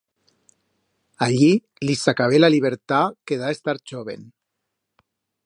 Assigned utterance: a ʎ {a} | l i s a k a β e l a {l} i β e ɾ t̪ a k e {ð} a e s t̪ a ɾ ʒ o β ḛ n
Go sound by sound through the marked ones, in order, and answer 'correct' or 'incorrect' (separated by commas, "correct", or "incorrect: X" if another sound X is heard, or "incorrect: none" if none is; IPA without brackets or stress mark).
incorrect: i, correct, correct